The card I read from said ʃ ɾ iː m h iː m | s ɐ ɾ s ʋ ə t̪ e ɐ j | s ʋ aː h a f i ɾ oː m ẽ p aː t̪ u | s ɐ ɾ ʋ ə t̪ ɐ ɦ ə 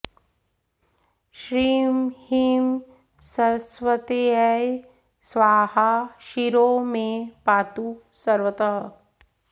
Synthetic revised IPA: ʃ ɾ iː m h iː m | s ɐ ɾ s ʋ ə t̪ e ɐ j | s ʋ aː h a ʃ i ɾ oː m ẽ p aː t̪ u | s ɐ ɾ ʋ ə t̪ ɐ ɦ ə